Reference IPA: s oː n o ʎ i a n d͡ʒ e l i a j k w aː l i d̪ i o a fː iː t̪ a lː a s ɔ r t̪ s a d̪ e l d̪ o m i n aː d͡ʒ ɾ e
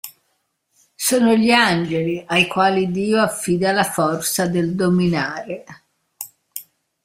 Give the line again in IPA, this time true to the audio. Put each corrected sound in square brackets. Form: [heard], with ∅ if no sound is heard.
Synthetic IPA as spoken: s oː n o ʎ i a n d͡ʒ e l i a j k w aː l i d̪ [iː] o a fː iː [d̪] a [l] a [f] ɔ r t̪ s a d̪ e l d̪ o m i n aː [∅] ɾ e